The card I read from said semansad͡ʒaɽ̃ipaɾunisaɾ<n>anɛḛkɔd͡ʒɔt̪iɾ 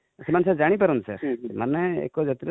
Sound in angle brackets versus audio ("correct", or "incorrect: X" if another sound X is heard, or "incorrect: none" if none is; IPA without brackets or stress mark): incorrect: m